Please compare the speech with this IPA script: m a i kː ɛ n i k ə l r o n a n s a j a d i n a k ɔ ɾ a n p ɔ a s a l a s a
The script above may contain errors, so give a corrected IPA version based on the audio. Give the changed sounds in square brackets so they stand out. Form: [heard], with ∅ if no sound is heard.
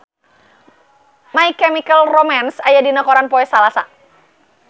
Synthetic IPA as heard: m a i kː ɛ [m] i k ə l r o [m] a n s a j a d i n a k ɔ ɾ a n p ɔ [ɛ] s a l a s a